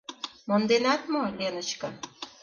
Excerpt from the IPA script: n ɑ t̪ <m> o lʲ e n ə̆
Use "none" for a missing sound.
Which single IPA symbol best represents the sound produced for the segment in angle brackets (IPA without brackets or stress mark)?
m